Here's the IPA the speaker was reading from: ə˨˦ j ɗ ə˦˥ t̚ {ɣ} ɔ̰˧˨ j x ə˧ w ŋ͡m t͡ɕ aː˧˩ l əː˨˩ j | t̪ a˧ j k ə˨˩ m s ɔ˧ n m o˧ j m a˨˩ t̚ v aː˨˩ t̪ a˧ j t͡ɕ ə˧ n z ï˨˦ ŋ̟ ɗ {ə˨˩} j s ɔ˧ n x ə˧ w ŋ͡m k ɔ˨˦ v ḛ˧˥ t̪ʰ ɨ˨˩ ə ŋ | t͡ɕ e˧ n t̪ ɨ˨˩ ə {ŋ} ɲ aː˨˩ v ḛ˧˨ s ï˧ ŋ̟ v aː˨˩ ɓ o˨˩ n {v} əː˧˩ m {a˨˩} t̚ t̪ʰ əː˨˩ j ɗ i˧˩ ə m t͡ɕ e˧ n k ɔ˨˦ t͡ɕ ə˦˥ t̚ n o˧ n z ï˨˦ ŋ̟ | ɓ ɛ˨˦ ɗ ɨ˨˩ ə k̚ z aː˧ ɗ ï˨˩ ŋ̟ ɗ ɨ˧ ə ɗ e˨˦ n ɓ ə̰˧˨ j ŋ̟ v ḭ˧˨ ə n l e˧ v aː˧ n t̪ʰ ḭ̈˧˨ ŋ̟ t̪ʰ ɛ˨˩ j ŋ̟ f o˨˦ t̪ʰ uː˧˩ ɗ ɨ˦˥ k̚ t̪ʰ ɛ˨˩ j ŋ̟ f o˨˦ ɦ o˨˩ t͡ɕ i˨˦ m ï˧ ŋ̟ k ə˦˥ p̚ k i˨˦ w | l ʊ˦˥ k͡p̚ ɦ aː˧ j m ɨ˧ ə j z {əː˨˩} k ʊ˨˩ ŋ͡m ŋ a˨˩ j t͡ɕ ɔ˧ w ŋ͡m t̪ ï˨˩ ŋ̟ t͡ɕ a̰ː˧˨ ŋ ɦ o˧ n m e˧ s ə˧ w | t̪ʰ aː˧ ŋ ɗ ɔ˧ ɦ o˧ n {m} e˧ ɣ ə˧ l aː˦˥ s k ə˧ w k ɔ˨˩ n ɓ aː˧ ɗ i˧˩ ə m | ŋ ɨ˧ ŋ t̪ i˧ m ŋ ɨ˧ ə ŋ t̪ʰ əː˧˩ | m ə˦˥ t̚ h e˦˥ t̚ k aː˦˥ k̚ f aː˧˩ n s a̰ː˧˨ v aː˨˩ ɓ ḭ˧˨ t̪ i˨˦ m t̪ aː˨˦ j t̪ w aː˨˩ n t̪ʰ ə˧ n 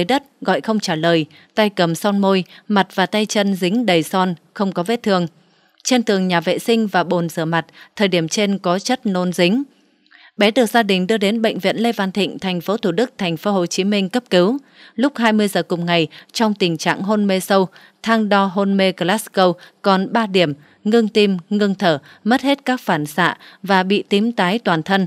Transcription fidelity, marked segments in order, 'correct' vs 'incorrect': correct, correct, correct, incorrect: z, correct, correct, correct

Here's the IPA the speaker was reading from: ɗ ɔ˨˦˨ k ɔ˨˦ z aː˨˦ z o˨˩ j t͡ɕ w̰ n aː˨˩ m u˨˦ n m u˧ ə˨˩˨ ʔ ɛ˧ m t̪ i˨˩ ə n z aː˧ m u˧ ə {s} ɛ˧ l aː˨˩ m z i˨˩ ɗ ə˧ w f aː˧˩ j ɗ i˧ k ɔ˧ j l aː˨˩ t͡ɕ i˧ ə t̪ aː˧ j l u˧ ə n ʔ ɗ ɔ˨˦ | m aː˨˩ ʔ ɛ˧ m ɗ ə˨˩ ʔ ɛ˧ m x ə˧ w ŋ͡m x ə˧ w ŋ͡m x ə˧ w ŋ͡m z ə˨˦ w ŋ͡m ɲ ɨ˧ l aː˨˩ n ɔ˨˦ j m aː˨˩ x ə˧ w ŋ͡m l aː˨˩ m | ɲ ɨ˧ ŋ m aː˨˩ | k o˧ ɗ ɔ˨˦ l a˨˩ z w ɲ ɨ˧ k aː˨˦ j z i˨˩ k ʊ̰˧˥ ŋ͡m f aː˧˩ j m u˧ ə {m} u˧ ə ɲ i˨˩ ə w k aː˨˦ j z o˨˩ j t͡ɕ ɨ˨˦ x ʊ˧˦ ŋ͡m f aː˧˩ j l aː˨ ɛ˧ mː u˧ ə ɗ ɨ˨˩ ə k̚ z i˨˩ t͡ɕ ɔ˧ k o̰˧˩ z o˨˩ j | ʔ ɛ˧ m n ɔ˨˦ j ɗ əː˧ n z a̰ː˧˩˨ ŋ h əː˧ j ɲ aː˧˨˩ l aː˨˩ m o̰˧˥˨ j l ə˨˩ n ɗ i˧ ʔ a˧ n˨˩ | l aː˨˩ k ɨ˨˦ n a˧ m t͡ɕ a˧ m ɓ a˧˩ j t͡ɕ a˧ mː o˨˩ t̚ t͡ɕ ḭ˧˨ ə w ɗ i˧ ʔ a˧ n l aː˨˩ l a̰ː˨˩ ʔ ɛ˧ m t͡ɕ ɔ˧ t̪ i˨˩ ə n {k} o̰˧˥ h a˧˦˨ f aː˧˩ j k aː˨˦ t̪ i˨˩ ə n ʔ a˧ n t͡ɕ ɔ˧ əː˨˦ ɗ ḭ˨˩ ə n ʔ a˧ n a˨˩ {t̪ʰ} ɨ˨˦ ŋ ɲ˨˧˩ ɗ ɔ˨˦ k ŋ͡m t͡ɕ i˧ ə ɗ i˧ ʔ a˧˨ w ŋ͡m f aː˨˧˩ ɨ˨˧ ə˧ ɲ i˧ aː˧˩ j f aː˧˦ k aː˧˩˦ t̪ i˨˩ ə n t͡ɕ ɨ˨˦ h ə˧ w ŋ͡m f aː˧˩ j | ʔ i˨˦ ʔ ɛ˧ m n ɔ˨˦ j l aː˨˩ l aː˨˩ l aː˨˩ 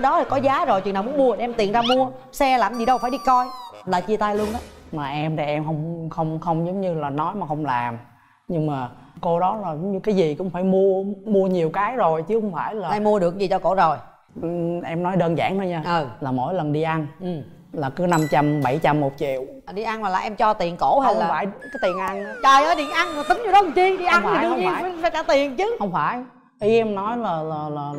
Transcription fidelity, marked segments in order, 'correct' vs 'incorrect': correct, correct, correct, incorrect: t̪

